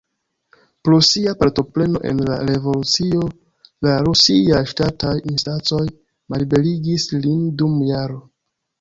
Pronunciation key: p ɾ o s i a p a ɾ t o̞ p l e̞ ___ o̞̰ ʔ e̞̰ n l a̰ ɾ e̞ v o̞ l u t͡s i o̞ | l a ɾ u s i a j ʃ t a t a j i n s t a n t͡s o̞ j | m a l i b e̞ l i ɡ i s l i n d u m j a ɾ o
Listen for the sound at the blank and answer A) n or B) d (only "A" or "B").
A